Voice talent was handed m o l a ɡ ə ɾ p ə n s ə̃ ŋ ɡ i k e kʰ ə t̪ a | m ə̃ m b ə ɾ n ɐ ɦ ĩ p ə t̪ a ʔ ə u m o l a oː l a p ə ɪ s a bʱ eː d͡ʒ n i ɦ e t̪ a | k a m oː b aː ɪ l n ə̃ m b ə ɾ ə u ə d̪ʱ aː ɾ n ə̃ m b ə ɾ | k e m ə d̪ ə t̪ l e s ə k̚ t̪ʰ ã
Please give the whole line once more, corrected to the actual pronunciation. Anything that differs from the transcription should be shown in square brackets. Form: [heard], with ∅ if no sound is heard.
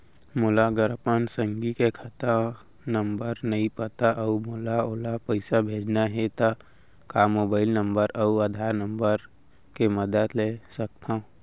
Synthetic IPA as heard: m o l a ɡ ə ɾ p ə n s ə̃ ŋ ɡ i k e kʰ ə t̪ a | [n] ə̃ m b ə ɾ n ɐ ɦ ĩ p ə t̪ a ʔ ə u m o l a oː l a p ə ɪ s a bʱ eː d͡ʒ n [a] ɦ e t̪ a | k a m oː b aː ɪ l n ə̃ m b ə ɾ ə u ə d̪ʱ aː ɾ n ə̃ m b ə ɾ | k e m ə d̪ ə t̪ l e s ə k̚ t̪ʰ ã